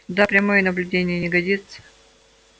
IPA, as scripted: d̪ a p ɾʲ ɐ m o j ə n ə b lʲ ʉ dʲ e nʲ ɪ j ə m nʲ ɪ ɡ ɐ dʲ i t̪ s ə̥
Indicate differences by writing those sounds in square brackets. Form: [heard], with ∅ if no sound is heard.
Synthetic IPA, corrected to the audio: d̪ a p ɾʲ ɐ m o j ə n ə b lʲ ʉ dʲ e nʲ ɪ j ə [∅] nʲ ɪ ɡ ɐ dʲ i t̪ s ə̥